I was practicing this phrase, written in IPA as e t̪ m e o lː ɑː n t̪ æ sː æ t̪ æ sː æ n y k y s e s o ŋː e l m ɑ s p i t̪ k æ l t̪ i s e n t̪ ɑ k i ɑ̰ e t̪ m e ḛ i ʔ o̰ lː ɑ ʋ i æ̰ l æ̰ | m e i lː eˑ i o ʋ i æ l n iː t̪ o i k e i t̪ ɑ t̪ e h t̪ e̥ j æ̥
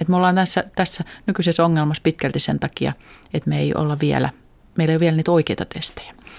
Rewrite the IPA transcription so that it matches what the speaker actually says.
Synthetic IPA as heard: e t̪ m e o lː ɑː n t̪ æ sː æ t̪ æ sː æ n y k y s e s o ŋː e l m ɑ s p i t̪ k æ l t̪ i s e n t̪ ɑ k i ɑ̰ e t̪ m e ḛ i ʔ o̰ lː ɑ ʋ i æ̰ l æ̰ | m e i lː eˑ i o ʋ i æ l n iː t̪ o i k e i t̪ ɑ t̪ e s t̪ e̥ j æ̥